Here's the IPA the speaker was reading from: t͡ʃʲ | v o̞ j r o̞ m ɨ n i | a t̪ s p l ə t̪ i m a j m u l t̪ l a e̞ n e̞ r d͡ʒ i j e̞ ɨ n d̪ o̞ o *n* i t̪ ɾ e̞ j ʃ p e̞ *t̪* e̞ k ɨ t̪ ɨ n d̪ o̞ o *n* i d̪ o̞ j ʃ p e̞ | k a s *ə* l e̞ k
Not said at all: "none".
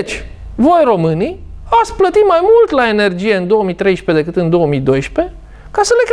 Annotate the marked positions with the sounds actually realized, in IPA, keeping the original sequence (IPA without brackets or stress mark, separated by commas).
m, d̪, m, ə